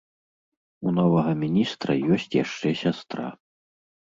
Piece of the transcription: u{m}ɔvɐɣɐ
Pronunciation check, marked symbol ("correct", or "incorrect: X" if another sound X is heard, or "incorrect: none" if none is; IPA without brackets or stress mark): incorrect: n